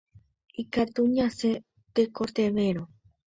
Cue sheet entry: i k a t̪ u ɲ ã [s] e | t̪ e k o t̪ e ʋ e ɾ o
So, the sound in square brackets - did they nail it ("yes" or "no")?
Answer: yes